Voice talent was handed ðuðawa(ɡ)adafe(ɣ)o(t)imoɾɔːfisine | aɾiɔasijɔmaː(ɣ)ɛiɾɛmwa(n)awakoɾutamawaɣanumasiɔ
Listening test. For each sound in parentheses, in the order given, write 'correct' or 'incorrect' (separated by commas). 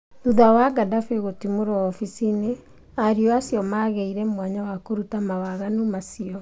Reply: correct, correct, correct, correct, incorrect